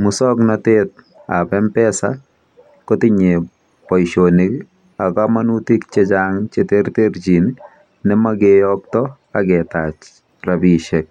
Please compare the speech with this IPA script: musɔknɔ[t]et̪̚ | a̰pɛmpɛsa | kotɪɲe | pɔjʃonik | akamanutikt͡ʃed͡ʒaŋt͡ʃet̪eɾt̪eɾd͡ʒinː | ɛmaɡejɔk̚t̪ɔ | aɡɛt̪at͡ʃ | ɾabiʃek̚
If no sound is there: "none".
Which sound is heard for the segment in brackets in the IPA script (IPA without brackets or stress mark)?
t